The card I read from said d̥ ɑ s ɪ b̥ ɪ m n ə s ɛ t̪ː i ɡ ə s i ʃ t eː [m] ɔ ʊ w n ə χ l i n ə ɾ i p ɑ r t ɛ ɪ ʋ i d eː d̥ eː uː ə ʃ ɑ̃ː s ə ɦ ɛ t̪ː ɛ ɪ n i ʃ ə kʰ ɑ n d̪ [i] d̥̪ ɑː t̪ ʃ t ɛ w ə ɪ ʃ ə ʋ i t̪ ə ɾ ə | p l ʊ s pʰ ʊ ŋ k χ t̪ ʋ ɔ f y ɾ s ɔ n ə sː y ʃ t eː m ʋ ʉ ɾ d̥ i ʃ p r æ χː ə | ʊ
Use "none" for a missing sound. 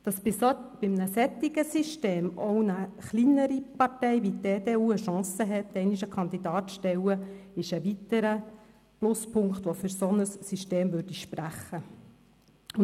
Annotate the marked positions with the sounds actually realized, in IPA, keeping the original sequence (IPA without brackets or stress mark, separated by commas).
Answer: m, i